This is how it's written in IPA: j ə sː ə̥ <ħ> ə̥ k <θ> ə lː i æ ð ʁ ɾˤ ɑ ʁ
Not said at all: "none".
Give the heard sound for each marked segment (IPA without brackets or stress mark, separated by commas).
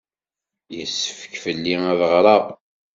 f, f